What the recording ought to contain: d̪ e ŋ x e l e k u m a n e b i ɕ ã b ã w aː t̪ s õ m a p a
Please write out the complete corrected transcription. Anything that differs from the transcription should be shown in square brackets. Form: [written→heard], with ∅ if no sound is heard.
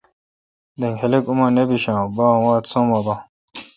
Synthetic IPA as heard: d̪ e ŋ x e l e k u m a n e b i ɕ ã b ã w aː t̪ s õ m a [p→b] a